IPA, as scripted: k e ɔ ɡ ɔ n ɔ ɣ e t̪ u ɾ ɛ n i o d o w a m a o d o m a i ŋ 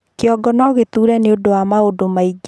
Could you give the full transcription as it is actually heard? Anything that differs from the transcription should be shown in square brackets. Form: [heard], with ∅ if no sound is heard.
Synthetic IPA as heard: k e ɔ ɡ ɔ n ɔ ɣ e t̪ u ɾ ɛ n [e] o d o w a m a o d o m a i [ɡ]